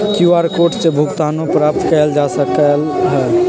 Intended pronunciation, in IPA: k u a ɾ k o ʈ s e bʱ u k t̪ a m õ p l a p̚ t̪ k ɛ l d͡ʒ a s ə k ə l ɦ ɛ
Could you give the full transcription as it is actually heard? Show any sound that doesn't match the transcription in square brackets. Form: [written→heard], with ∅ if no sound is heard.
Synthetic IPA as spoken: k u a ɾ k o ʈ s e bʱ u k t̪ a [m→n] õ p [l→ɾ] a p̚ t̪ k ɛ l d͡ʒ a s ə k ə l ɦ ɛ